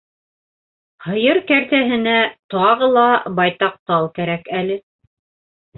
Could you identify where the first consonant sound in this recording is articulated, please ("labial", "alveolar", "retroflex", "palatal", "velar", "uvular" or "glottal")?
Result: glottal